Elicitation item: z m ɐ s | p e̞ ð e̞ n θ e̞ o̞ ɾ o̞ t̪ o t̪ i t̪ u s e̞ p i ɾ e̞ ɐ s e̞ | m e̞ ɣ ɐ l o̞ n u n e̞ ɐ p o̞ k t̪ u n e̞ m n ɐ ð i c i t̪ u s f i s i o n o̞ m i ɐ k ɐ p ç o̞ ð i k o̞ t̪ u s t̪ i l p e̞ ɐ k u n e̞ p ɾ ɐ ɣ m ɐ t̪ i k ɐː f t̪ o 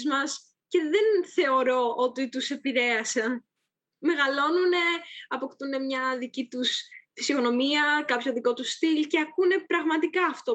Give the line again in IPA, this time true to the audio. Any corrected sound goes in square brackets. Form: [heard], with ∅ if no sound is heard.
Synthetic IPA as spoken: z m ɐ s | [c] e̞ ð e̞ n θ e̞ o̞ ɾ o̞ [∅] o t̪ i t̪ u s e̞ p i ɾ e̞ ɐ s e̞ | m e̞ ɣ ɐ l o̞ n u n e̞ ɐ p o̞ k t̪ u n e̞ m [ɲ] ɐ ð i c i t̪ u s f i s i o n o̞ m i ɐ k ɐ p ç o̞ ð i k o̞ t̪ u s t̪ i l [c] e̞ ɐ k u n e̞ p ɾ ɐ ɣ m ɐ t̪ i k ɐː f t̪ o